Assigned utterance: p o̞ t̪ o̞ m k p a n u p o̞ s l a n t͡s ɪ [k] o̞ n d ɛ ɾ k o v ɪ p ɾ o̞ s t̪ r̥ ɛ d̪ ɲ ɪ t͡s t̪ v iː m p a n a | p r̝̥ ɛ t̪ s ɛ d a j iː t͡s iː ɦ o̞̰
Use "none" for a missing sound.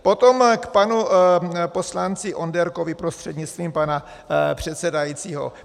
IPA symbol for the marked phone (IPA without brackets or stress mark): ʔ